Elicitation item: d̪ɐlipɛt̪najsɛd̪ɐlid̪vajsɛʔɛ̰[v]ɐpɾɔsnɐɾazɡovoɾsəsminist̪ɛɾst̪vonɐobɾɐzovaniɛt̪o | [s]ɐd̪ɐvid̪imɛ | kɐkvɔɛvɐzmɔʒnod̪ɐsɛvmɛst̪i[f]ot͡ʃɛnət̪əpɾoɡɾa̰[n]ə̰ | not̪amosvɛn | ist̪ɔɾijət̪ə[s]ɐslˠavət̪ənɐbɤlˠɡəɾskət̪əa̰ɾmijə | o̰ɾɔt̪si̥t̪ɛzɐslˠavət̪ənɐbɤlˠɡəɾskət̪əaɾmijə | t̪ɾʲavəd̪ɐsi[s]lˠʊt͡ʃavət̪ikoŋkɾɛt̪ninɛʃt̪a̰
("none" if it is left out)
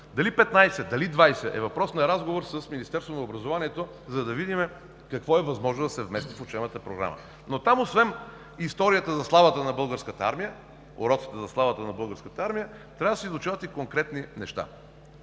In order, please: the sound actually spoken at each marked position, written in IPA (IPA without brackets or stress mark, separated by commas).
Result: v, z, f, m, z, z